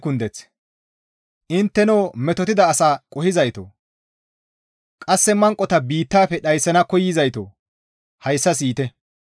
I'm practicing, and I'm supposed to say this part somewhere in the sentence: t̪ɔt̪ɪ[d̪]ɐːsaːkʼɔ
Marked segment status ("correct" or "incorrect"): correct